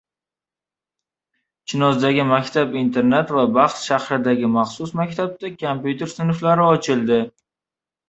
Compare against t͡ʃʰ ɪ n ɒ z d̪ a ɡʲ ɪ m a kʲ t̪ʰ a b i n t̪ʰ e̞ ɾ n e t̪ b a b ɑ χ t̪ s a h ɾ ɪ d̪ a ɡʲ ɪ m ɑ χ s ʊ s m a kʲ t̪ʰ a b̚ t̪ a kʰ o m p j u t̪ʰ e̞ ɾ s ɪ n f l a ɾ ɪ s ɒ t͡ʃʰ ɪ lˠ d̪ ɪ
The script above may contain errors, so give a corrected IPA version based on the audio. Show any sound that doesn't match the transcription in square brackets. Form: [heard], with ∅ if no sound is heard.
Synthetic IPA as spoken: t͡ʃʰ ɪ n ɒ z d̪ a ɡʲ ɪ m a kʲ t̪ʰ a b i n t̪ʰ e̞ ɾ n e t̪ [v] a b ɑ χ t̪ [ʃ] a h ɾ ɪ d̪ a ɡʲ ɪ m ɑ χ s ʊ s m a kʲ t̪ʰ a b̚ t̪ a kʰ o m p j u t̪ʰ e̞ ɾ s ɪ n f l a ɾ ɪ [∅] ɒ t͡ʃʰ ɪ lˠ d̪ ɪ